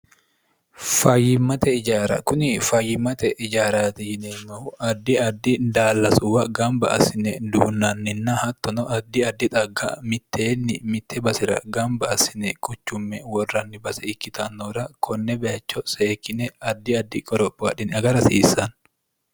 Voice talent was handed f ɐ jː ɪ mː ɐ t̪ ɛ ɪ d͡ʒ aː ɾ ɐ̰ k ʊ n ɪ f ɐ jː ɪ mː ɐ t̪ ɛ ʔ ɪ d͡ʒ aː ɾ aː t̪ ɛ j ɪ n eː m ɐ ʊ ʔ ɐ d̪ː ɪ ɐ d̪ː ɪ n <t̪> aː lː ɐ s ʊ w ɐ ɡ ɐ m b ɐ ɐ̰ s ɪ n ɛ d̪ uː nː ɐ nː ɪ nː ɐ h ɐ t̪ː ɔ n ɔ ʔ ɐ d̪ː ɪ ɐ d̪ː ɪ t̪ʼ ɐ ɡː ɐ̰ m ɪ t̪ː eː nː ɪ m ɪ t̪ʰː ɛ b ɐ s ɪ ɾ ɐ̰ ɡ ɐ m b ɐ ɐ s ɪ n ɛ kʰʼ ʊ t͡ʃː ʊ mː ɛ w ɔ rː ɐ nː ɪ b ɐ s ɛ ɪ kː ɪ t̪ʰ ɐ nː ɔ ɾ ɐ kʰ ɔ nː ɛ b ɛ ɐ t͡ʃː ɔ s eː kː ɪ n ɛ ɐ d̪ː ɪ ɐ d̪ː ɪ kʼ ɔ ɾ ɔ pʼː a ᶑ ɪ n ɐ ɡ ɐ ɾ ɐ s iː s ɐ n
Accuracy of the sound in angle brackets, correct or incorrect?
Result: incorrect: d̪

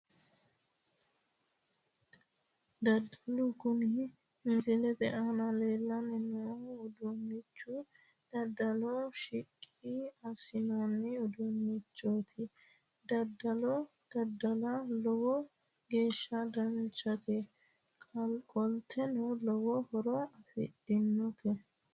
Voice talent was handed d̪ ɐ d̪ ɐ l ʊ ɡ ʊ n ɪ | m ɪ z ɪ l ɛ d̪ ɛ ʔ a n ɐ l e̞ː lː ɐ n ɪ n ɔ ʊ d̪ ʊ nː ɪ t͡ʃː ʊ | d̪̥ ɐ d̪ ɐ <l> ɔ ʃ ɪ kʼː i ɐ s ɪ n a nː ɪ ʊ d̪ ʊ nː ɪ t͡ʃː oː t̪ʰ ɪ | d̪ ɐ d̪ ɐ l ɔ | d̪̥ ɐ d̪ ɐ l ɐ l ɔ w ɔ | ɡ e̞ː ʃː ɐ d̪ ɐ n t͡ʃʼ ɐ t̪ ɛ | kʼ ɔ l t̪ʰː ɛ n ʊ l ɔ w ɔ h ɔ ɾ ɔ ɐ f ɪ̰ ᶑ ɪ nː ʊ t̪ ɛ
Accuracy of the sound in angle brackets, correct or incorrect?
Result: correct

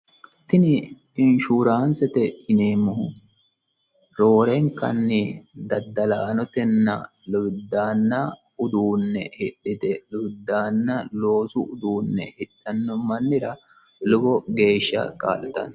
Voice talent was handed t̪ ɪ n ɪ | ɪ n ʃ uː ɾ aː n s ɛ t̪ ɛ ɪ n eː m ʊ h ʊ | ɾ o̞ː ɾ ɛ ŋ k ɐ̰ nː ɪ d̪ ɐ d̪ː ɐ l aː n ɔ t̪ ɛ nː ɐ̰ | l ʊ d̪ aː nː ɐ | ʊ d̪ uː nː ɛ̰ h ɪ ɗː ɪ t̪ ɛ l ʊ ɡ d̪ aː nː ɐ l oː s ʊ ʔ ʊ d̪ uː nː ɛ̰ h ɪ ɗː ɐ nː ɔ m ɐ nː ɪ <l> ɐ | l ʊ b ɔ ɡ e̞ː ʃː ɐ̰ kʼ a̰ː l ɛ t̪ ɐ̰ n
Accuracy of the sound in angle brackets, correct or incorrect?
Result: incorrect: ɾ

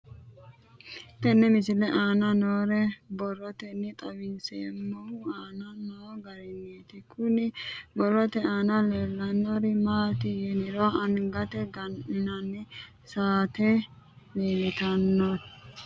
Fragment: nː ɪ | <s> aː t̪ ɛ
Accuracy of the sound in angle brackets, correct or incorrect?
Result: correct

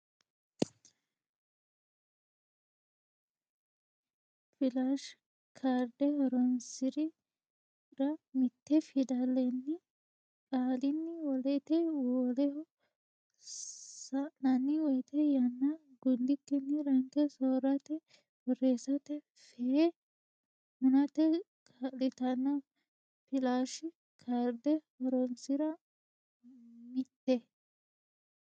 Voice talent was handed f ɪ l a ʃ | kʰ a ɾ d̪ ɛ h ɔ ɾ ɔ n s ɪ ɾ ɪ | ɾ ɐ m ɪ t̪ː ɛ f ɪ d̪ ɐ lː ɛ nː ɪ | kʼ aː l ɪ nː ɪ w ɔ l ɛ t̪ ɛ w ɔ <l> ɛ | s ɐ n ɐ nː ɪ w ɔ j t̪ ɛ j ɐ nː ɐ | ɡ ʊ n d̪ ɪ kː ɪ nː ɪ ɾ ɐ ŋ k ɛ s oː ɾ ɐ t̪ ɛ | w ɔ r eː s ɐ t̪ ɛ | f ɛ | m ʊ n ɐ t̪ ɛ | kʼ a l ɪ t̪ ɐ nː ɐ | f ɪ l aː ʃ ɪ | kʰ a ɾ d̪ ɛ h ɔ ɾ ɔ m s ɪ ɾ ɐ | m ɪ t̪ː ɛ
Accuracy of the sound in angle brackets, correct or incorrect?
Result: correct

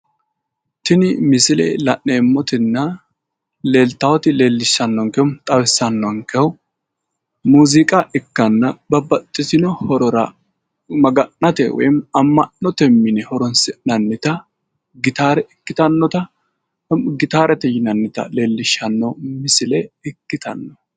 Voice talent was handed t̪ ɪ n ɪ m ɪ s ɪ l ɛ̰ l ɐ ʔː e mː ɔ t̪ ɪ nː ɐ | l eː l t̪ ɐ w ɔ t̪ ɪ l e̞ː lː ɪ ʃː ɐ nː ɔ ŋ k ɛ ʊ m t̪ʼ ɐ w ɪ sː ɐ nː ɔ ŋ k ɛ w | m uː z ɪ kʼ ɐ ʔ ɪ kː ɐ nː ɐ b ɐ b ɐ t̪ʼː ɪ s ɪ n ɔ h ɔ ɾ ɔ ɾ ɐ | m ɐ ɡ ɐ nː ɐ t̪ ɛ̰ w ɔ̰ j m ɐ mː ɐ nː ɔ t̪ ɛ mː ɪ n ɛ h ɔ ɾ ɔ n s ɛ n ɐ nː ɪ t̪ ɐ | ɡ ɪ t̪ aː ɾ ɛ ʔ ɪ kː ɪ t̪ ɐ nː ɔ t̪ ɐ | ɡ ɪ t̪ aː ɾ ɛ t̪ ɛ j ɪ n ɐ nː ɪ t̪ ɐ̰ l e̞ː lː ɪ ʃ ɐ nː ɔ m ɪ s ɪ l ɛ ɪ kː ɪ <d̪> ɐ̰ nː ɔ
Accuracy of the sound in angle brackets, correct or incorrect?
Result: incorrect: t̪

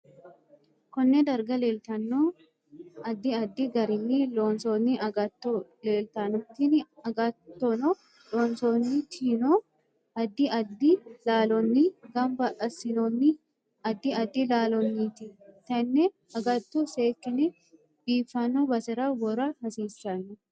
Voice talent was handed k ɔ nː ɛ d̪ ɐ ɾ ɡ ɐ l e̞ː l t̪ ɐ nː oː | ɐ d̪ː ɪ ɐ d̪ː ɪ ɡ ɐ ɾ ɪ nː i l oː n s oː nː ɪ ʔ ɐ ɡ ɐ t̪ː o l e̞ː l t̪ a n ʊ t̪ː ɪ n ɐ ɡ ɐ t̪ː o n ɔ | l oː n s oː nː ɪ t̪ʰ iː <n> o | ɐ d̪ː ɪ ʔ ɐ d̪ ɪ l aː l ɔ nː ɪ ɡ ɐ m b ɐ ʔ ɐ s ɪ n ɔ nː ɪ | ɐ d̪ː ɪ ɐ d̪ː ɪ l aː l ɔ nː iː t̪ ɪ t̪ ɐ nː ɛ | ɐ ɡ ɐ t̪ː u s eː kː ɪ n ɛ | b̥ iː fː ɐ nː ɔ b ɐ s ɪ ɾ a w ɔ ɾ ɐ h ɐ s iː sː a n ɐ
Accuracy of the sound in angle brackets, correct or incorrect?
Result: correct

